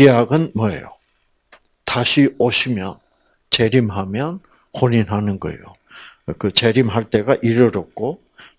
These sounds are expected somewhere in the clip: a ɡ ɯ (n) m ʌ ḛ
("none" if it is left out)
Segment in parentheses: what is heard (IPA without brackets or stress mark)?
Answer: n